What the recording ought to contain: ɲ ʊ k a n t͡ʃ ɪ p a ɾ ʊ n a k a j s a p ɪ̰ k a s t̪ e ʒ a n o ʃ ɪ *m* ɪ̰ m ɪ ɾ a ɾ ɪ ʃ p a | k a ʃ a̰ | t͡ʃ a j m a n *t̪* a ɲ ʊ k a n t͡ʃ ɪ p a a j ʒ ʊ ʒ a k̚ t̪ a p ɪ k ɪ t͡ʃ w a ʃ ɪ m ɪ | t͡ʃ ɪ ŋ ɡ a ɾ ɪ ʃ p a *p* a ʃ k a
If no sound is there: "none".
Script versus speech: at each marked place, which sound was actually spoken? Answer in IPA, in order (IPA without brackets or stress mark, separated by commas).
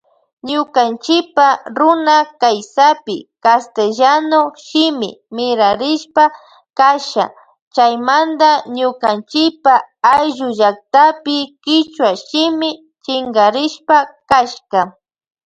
m, d̪, k